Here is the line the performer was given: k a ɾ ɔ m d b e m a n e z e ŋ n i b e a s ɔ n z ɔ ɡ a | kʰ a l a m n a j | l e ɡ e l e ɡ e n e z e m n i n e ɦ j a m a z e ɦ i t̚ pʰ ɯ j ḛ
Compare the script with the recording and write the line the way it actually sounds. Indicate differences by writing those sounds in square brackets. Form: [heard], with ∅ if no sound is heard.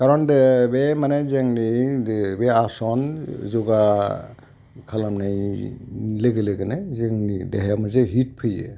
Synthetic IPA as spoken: k a ɾ ɔ [n] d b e m a n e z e ŋ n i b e a s ɔ n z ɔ ɡ a | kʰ a l a m n a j | l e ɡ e l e ɡ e n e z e [ŋ] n i [d] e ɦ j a m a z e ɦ i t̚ pʰ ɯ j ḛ